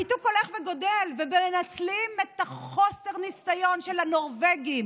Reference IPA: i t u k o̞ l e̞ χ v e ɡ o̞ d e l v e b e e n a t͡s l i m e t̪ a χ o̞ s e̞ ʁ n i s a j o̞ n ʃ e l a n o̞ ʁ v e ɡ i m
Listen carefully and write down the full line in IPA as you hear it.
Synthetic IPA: i t u k o̞ l e̞ χ v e ɡ o̞ d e l v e b e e n a t͡s l i m e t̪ a χ o̞ s e̞ ʁ n i s a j o̞ n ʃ e l a n o̞ ʁ v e ɡ i m